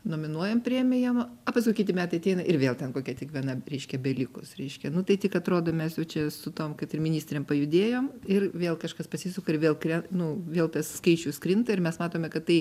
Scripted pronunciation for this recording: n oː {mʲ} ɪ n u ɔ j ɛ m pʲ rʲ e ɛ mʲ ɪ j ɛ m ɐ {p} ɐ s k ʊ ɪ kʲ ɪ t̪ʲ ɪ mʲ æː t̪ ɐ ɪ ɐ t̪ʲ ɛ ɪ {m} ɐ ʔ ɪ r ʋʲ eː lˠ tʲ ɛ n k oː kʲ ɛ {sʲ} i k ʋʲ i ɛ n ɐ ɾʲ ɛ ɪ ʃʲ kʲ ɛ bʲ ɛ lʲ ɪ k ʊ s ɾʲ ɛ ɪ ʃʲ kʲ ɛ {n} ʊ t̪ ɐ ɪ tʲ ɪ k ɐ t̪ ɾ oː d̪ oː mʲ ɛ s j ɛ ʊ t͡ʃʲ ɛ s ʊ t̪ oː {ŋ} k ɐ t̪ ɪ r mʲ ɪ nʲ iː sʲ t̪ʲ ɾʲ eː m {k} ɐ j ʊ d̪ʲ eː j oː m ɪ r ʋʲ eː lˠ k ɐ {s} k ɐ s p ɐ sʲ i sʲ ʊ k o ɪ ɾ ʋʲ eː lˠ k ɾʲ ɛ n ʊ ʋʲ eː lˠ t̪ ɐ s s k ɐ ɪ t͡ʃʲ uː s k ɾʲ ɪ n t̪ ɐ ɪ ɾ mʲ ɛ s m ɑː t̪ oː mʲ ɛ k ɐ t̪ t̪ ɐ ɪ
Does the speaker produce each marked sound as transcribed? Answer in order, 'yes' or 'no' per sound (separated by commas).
yes, yes, no, no, yes, no, no, no